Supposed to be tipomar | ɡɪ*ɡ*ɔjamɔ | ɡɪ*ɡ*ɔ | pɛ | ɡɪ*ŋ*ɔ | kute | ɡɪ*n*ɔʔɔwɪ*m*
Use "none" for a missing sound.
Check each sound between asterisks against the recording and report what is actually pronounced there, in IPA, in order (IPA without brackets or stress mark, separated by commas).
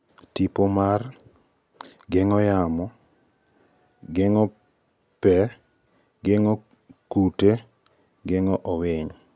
ŋ, ŋ, ŋ, ŋ, ɲ